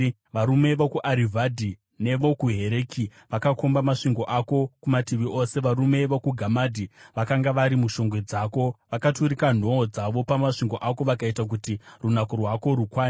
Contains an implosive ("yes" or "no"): no